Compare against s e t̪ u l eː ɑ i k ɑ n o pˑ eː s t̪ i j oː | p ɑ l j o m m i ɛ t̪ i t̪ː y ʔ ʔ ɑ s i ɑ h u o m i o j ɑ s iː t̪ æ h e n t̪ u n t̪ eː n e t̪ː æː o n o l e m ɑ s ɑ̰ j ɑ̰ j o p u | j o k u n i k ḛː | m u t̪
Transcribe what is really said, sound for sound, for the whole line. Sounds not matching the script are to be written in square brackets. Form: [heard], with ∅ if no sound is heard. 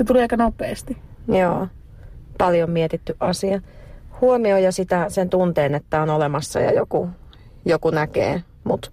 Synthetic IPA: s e t̪ u l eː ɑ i k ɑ n o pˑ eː s t̪ i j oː | p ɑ l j o m m i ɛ t̪ i t̪ː y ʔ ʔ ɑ s i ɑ h u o m i o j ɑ s [i] t̪ æ [s] e n t̪ u n t̪ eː n e t̪ː [æ] o n o l e m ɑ [sː] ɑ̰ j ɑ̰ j o [k] u | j o k u n [æ] k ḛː | m u t̪